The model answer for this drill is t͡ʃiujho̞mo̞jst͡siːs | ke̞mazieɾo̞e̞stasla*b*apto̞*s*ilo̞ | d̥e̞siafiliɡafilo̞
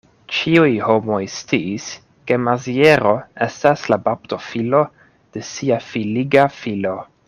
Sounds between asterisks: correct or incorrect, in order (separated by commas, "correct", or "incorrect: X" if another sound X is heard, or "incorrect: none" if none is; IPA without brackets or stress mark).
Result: correct, incorrect: f